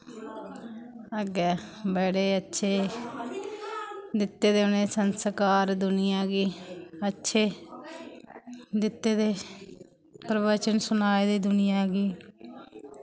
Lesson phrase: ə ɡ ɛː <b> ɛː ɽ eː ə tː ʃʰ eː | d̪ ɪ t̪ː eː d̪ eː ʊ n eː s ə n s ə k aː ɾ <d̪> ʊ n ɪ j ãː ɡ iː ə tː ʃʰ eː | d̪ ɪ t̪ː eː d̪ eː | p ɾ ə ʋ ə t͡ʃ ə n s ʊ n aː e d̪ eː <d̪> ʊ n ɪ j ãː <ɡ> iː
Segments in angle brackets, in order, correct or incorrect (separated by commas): correct, correct, correct, correct